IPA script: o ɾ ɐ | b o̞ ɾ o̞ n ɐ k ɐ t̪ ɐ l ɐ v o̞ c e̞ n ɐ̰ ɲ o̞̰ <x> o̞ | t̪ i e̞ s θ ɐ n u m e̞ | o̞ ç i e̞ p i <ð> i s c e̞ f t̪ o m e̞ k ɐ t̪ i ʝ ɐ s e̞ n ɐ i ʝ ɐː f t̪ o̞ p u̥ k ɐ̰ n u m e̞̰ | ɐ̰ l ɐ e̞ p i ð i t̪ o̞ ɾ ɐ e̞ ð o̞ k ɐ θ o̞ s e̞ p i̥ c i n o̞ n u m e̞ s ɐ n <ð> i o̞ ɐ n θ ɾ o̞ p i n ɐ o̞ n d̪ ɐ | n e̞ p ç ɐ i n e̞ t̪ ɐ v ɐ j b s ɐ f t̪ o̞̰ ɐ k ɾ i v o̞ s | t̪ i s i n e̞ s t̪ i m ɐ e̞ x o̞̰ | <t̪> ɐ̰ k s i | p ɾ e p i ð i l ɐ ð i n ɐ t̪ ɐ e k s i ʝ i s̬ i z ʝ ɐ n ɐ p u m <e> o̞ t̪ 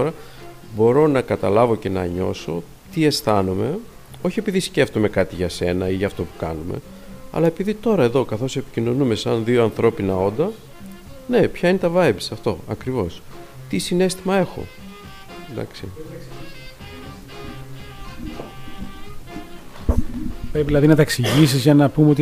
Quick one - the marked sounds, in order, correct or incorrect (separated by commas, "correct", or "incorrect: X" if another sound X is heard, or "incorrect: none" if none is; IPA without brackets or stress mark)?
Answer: incorrect: s, correct, correct, incorrect: d̪, correct